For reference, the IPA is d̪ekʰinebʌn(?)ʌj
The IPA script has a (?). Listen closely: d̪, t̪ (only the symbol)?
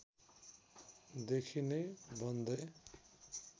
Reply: d̪